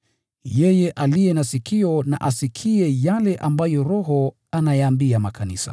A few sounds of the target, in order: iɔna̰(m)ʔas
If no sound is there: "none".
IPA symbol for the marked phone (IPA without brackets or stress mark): none